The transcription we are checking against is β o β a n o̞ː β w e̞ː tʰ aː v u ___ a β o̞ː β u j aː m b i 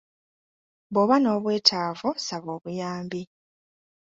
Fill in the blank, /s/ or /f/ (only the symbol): s